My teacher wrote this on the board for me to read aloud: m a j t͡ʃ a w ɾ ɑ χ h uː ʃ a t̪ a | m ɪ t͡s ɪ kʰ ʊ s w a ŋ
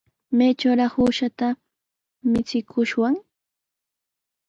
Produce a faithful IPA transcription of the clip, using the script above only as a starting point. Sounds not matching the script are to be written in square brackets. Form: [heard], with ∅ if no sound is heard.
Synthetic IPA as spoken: m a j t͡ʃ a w ɾ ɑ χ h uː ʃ a t̪ a | m ɪ t͡s ɪ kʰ ʊ [ʃ] w a ŋ